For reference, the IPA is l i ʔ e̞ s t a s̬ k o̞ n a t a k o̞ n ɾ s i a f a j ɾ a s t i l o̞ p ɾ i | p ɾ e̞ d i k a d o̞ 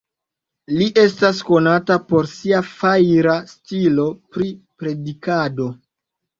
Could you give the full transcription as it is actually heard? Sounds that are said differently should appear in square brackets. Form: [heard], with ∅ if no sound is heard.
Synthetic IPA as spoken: l i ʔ e̞ s t a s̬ k o̞ n a t a [p] o̞ [∅] ɾ s i a f a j ɾ a s t i l o̞ p ɾ i | p ɾ e̞ d i k a d o̞